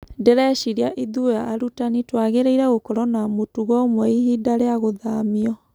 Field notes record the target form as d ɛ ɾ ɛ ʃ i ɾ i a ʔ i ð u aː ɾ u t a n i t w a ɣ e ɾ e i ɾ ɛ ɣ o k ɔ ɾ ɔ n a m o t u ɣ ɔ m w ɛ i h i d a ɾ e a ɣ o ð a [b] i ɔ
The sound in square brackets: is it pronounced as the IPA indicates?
no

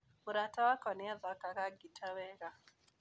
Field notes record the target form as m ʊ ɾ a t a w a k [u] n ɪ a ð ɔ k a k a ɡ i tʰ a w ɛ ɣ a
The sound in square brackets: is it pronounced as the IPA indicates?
no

